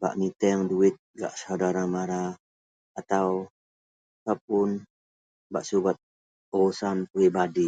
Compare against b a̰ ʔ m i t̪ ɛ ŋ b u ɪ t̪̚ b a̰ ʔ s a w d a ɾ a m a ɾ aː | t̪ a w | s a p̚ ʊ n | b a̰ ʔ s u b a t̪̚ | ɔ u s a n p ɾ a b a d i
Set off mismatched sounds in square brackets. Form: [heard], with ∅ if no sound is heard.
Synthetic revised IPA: b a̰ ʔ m i t̪ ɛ ŋ [d] u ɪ t̪̚ [ɡ] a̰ ʔ s a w d a ɾ a m a ɾ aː | t̪ a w | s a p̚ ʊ n | b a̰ ʔ s u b a t̪̚ | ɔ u s a n p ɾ [i] b a d i